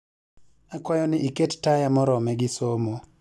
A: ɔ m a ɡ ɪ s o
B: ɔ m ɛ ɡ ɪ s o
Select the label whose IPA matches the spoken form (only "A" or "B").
B